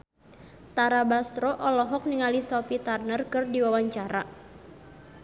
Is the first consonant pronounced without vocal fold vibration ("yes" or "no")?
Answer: yes